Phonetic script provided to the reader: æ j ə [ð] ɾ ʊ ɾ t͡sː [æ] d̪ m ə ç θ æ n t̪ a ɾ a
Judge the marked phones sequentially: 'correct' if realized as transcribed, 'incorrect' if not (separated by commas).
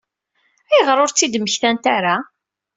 incorrect, incorrect